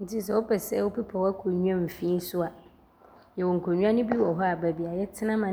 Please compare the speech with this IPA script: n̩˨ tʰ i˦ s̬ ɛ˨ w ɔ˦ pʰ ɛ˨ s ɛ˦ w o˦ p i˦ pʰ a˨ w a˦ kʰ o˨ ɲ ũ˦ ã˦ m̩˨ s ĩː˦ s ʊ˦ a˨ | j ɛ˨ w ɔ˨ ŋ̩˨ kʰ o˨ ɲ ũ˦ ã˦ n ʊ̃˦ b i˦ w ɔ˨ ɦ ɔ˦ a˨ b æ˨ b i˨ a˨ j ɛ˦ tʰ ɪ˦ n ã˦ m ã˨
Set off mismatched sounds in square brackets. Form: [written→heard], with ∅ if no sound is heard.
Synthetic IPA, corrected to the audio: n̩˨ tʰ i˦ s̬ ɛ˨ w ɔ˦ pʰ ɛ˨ s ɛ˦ w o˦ p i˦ pʰ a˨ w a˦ kʰ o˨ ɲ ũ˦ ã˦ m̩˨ [s→f] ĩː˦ s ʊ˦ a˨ | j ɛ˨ w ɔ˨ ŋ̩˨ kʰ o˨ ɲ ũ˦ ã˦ n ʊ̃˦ b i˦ w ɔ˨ ɦ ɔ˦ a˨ b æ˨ b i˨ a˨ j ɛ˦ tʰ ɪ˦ n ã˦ m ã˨